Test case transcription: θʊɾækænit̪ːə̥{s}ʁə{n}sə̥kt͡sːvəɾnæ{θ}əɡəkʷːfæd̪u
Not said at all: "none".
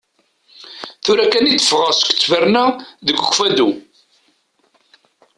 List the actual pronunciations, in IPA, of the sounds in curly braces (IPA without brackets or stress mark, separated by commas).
f, none, ð